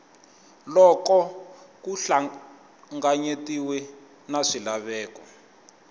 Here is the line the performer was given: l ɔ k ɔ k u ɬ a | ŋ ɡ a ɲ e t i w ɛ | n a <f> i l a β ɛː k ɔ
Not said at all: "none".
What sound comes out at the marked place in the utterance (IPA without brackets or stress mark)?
ʂ